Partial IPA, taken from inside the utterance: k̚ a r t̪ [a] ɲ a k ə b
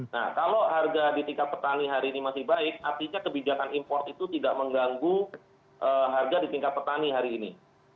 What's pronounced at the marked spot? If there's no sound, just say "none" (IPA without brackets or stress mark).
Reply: i